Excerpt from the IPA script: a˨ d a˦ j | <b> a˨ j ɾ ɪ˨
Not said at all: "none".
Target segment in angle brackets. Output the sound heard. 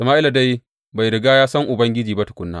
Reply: b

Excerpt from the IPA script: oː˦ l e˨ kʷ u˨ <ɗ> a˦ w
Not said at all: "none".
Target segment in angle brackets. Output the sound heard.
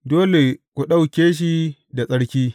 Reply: ɗ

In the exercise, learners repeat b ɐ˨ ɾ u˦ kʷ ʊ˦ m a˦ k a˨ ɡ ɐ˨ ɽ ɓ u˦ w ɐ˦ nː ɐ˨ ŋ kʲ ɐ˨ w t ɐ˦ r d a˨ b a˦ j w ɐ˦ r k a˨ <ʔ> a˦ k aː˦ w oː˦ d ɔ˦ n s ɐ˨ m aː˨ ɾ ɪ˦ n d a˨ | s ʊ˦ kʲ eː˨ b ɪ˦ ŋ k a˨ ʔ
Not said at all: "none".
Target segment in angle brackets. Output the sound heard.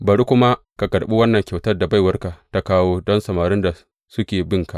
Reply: t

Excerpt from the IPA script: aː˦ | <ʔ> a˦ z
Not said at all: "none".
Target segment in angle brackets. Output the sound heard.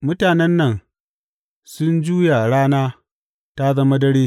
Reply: t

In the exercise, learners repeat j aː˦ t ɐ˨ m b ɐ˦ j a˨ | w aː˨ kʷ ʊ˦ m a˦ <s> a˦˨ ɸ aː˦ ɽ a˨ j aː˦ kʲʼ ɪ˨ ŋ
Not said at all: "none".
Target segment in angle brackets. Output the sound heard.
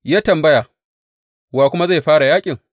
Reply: z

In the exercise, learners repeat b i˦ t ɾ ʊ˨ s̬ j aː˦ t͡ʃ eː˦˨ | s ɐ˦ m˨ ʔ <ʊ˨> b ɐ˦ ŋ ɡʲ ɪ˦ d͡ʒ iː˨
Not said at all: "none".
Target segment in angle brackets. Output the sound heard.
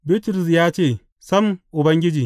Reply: ʊ˨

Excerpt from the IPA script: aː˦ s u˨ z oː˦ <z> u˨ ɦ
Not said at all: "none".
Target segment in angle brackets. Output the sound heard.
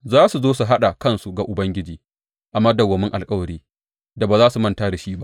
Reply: s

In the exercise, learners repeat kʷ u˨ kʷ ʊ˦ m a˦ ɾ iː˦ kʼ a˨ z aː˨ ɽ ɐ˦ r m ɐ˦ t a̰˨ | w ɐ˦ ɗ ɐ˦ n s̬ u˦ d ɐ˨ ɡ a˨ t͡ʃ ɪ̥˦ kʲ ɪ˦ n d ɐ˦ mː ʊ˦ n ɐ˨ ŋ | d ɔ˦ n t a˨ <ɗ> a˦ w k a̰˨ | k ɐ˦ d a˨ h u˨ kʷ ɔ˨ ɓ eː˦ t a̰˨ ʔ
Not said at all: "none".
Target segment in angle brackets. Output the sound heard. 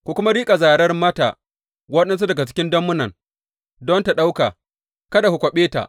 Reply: ɗ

